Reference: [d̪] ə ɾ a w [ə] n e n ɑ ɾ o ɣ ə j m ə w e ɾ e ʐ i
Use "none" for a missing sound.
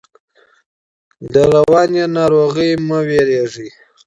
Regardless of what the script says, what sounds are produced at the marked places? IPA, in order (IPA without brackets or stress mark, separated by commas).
d̪, ɑ